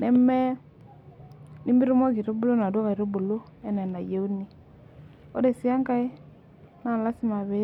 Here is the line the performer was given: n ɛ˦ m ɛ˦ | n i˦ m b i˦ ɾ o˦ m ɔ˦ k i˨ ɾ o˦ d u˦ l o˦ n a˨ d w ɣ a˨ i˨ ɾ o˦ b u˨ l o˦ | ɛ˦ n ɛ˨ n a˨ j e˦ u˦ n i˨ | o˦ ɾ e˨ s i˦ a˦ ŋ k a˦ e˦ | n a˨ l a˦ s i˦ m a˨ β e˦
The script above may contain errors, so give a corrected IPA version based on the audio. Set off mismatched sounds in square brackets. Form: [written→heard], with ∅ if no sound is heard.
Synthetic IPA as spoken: n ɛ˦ m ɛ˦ | n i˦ m b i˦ ɾ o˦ m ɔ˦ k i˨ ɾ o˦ [d→b] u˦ l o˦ n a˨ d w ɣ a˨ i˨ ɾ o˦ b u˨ l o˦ | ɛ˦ n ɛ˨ n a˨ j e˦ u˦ n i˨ | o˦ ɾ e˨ s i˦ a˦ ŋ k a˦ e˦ | n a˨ l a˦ s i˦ m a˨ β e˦